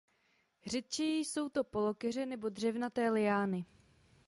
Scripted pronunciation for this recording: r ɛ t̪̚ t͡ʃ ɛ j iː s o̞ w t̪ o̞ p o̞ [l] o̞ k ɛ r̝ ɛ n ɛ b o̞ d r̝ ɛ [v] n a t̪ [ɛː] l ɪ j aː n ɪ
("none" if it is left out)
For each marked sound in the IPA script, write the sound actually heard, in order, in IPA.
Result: l, v, ɛː

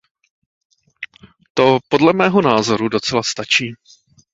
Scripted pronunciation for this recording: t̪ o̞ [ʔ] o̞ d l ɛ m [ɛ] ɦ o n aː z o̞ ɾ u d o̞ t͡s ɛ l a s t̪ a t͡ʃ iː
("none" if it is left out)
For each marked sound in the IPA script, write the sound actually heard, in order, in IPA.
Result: p, ɛː

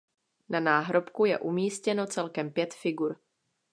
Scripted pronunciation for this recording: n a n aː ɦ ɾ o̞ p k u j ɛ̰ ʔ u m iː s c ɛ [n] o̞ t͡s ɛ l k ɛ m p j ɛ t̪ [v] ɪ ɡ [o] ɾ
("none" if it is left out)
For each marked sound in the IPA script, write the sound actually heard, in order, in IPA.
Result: n, f, u

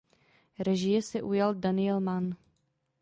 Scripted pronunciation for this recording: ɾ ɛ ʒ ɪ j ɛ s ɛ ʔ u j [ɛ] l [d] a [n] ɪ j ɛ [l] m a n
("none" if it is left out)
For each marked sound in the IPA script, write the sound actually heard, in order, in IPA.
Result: a, d, n, l

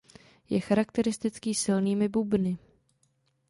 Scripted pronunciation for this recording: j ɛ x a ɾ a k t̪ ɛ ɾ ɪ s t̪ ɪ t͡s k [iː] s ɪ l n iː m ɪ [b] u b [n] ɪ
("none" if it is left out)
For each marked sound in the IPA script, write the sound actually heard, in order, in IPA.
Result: iː, b, n

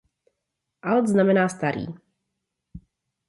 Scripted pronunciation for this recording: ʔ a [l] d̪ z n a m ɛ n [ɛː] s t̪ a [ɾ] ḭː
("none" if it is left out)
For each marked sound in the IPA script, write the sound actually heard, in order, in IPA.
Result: l, aː, ɾ

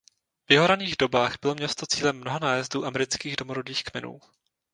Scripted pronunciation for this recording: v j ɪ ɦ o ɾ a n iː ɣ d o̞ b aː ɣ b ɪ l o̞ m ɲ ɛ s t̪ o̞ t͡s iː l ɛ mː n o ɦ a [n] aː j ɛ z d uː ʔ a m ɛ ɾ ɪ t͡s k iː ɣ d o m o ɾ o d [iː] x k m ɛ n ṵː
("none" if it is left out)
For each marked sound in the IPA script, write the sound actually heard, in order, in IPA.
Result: n, iː

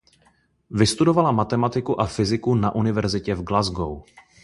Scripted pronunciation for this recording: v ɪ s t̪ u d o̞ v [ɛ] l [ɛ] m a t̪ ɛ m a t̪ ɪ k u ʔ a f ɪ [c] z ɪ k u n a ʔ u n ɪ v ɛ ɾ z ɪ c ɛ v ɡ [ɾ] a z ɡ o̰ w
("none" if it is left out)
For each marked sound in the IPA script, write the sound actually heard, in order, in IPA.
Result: a, a, none, l

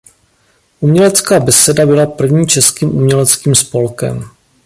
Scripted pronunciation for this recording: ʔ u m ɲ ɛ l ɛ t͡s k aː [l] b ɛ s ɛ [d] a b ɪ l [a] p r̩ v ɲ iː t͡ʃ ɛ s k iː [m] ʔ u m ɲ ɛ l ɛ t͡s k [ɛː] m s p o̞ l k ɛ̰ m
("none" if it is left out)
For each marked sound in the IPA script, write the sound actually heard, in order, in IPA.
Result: none, d, a, m, iː

